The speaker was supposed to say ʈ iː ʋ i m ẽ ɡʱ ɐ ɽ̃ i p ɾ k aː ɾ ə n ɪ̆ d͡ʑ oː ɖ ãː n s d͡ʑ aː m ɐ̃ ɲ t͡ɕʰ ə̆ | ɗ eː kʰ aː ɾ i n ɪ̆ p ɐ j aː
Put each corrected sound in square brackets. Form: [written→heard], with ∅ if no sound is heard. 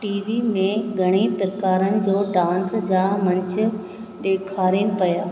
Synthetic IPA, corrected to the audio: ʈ iː ʋ i m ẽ ɡʱ ɐ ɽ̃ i p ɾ k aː ɾ ə n ɪ̆ d͡ʑ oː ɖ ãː n s d͡ʑ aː m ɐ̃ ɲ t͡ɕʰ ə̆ | ɗ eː kʰ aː ɾ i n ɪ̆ p ɐ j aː